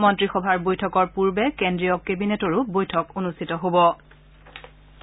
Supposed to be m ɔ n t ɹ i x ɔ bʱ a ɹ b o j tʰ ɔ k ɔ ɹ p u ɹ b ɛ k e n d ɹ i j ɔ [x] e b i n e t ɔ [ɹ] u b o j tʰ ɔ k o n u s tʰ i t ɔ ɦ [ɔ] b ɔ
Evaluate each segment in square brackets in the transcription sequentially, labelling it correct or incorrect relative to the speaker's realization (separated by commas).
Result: incorrect, correct, incorrect